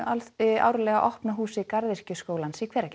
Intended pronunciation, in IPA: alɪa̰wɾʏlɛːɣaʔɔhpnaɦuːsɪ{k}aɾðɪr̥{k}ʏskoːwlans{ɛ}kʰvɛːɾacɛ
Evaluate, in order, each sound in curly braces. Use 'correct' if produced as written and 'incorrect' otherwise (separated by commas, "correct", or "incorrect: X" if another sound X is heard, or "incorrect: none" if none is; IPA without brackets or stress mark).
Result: correct, incorrect: c, incorrect: i